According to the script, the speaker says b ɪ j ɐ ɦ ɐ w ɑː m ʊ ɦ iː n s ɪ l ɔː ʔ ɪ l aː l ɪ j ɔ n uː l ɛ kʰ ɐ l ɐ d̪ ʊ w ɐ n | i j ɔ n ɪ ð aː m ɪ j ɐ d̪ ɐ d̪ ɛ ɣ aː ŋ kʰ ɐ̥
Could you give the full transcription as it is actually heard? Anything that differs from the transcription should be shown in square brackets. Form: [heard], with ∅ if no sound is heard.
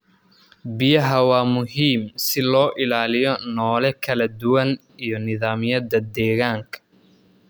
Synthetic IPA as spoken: b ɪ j ɐ ɦ ɐ w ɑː m ʊ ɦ iː [m] s ɪ l ɔː ʔ ɪ l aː l ɪ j ɔ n [ɔː] l ɛ kʰ ɐ l ɐ d̪ ʊ w ɐ n | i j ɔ n ɪ ð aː m ɪ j ɐ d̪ ɐ d̪ [ɛː] ɣ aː ŋ kʰ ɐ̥